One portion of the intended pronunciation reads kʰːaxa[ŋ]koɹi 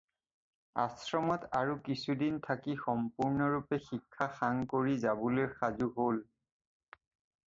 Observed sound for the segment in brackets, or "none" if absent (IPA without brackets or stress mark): ŋ